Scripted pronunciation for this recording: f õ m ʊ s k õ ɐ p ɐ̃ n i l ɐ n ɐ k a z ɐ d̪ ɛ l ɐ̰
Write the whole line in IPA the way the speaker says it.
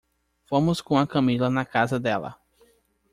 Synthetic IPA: f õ m ʊ s k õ ɐ k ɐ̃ m i l ɐ n ɐ k a z ɐ d̪ ɛ l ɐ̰